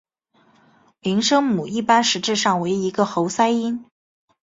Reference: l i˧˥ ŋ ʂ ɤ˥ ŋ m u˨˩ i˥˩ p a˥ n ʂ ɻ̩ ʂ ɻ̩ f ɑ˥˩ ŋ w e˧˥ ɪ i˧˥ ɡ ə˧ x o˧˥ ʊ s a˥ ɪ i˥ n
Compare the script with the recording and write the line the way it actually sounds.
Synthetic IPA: l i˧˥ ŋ ʂ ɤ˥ ŋ m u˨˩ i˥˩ p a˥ n ʂ ɻ̩ ʈ͡ʂ ɻ̩ ʂ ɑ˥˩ ŋ w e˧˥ ɪ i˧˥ ɡ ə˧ x o˧˥ ʊ s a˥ ɪ i˥ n